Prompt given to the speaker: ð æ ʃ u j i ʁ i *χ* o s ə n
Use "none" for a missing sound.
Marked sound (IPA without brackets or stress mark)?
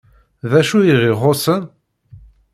ʁ